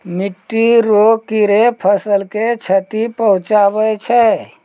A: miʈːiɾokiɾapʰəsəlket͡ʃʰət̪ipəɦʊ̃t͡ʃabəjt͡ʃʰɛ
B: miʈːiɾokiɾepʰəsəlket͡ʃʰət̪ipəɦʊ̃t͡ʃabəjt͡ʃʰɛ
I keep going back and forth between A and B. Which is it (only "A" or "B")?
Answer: B